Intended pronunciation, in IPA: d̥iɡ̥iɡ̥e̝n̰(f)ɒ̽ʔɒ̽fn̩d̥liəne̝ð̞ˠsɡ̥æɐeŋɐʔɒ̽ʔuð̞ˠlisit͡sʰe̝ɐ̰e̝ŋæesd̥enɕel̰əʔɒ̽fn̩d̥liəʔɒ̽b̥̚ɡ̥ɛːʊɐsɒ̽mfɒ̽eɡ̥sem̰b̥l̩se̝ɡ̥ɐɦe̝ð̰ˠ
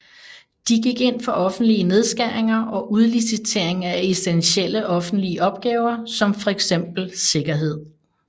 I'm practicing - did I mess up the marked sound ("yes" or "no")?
no